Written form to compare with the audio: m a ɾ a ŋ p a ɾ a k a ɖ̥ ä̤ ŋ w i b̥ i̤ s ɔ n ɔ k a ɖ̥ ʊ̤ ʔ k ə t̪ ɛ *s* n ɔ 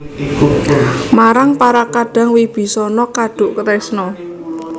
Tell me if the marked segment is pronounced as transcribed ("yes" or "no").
yes